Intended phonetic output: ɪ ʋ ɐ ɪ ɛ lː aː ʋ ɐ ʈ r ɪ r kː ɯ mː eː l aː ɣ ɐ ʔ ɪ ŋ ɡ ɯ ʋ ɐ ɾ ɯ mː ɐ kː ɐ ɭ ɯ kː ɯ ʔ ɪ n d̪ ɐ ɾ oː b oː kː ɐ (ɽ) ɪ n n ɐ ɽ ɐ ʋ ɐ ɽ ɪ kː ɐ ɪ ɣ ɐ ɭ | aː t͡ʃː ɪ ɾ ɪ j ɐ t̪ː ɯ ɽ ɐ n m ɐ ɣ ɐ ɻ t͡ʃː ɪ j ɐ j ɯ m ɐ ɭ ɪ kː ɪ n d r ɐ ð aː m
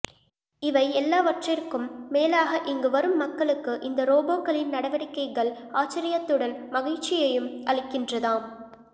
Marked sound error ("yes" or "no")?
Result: yes